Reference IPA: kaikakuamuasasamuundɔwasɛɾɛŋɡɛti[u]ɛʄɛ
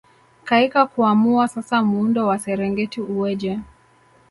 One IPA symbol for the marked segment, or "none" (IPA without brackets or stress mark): u